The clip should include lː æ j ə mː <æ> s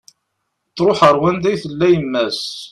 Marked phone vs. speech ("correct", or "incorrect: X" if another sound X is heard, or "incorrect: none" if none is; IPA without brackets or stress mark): correct